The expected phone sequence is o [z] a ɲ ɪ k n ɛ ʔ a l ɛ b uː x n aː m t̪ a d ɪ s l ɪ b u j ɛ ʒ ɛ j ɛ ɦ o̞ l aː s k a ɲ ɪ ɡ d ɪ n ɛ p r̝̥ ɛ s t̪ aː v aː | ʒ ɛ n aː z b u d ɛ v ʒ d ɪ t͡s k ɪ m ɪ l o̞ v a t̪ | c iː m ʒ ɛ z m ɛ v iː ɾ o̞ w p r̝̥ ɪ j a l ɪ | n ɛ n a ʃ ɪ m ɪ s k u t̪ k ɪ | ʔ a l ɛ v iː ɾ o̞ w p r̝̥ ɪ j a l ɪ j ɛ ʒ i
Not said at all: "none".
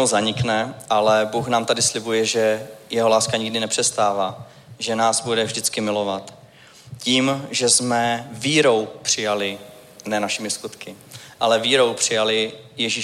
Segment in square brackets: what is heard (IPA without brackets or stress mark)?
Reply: z